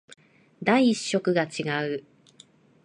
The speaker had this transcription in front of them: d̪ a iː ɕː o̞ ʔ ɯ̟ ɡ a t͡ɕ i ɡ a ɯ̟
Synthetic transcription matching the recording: d̪ a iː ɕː o̞ k ɯ̟ ɡ a t͡ɕ i ɡ a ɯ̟